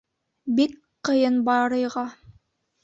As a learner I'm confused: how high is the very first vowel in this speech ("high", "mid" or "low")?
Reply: high